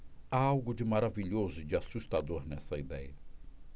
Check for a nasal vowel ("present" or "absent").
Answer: absent